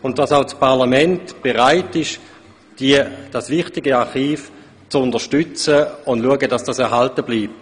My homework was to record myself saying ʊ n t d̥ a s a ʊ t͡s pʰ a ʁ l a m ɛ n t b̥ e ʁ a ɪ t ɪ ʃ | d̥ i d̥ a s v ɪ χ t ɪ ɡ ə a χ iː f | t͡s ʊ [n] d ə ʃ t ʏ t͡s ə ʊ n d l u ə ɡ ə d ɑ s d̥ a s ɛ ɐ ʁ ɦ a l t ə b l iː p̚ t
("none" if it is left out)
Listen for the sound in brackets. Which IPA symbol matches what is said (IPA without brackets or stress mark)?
n